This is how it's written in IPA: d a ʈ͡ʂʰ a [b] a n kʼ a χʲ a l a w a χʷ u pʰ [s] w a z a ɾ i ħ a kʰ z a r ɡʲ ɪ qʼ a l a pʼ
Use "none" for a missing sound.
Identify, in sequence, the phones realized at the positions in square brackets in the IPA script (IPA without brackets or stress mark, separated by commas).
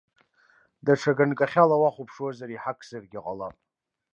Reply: ɡ, ʂ